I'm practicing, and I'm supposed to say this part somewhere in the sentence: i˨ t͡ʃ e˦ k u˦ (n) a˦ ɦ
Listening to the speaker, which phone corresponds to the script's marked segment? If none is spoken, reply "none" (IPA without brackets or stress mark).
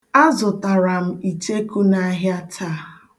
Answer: n